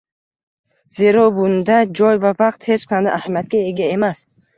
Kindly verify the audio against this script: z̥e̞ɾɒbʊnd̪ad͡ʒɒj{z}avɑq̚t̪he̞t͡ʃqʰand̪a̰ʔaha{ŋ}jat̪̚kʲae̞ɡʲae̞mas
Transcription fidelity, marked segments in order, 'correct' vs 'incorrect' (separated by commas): incorrect, incorrect